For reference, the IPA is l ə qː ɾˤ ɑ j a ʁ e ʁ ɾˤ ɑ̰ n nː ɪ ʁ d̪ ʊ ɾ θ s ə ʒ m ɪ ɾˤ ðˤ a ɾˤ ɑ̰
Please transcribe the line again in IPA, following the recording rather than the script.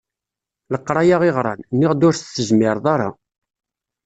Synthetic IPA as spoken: l ə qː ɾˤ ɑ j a ʁ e ʁ ɾˤ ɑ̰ n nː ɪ ʁ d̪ ʊ ɾ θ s ə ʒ m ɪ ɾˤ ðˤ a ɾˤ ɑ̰